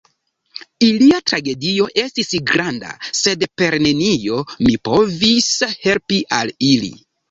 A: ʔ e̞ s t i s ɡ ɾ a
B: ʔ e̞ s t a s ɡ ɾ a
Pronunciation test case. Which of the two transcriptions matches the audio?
A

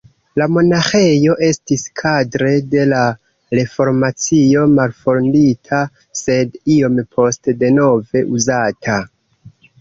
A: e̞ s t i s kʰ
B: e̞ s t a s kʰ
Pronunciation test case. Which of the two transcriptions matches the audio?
A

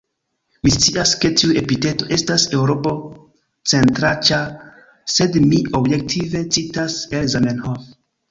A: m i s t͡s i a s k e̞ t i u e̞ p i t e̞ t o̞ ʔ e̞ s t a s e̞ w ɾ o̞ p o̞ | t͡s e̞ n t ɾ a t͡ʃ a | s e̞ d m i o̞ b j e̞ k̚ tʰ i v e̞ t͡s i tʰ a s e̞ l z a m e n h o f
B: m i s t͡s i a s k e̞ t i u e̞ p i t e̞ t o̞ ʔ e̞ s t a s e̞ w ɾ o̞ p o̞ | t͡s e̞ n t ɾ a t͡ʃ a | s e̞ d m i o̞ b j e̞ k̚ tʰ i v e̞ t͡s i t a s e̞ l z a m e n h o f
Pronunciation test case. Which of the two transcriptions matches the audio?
B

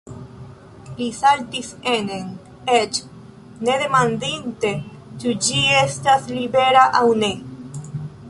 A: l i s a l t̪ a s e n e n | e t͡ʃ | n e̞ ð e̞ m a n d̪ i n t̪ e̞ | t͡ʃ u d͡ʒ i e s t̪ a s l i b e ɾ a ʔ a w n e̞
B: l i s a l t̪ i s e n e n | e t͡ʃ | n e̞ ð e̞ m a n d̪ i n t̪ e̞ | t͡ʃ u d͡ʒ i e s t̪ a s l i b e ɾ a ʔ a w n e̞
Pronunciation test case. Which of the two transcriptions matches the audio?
B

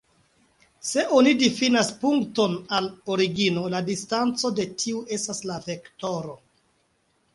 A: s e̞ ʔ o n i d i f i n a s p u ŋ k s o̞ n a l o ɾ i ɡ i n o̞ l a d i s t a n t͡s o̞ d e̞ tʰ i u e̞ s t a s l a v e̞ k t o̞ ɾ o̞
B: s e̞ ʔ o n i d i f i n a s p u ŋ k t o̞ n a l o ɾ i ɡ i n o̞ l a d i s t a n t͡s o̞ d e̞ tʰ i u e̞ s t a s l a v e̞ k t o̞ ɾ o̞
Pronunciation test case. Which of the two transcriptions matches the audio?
B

